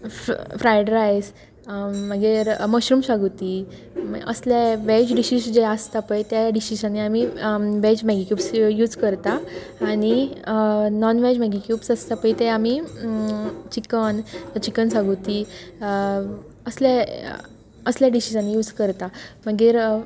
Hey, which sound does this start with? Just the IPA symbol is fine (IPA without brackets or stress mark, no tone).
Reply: f